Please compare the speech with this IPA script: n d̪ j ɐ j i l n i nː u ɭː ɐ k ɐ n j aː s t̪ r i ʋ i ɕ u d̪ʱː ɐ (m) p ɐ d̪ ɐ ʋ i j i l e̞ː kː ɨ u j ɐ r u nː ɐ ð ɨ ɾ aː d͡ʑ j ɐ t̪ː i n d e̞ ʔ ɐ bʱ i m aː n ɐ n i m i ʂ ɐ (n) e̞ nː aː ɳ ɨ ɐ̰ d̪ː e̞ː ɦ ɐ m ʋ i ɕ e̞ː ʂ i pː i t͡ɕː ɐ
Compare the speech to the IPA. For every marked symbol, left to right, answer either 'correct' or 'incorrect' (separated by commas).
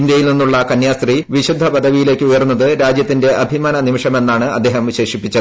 incorrect, incorrect